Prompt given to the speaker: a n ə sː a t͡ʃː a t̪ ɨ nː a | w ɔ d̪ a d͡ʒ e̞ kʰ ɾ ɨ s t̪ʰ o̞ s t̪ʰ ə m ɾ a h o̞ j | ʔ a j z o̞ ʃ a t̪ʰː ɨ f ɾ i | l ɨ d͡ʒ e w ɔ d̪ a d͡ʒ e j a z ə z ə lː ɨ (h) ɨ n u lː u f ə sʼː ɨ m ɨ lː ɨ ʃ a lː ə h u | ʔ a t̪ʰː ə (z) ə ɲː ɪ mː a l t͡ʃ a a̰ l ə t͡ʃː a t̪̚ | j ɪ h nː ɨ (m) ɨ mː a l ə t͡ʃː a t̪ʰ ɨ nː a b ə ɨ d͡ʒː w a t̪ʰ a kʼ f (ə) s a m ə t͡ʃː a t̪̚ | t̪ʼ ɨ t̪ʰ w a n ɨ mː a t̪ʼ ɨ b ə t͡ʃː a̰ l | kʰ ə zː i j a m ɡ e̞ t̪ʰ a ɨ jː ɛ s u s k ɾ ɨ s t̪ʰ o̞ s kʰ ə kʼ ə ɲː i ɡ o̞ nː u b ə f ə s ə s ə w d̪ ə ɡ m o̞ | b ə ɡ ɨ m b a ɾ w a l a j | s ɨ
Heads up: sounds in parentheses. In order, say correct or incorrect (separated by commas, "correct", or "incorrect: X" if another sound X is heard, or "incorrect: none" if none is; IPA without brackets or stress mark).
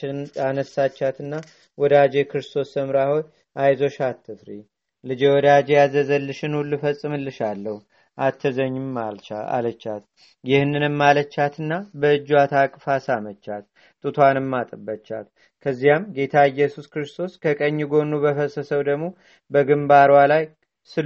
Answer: incorrect: ʃ, correct, incorrect: n, incorrect: a